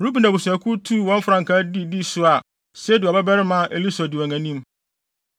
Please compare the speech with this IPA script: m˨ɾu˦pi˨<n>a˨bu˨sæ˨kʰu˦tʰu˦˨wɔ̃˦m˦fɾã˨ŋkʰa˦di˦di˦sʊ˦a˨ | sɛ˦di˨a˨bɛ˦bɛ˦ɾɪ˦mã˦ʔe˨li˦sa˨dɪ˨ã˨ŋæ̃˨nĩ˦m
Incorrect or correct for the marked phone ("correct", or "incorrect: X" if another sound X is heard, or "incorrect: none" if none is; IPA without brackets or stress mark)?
correct